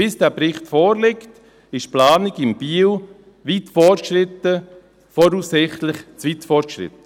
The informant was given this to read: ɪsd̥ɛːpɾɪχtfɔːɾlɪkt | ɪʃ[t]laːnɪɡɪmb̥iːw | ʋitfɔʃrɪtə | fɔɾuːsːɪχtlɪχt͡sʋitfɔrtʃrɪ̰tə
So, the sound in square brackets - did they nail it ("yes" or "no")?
no